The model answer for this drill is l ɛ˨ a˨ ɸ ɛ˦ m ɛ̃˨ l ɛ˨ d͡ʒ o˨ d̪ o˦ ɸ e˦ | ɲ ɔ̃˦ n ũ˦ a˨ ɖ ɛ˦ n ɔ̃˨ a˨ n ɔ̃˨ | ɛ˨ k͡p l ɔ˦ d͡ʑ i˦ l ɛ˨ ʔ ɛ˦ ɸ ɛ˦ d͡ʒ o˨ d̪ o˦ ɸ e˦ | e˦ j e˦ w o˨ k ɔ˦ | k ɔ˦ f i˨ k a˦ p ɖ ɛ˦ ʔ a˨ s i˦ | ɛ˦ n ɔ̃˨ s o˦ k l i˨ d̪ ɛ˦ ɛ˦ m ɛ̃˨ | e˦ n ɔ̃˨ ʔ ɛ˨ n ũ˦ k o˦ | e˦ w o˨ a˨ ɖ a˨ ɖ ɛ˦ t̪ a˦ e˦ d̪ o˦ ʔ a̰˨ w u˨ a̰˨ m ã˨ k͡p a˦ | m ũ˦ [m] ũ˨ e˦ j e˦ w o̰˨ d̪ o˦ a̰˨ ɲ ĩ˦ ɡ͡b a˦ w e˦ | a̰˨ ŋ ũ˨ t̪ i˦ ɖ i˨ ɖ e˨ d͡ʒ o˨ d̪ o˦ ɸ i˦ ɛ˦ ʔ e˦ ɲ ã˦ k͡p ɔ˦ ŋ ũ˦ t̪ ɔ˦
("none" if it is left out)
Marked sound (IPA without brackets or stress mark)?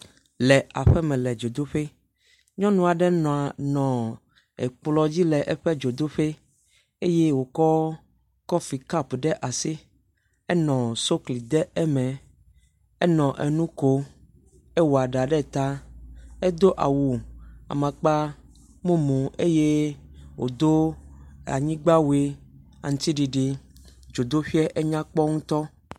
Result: m